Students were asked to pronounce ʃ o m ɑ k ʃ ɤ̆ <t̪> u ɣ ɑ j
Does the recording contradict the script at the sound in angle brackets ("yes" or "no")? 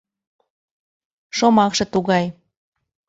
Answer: no